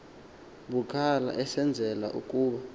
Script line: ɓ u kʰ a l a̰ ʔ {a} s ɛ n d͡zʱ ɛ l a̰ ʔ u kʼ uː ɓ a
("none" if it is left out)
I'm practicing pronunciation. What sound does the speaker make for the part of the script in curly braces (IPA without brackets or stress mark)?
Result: ɛ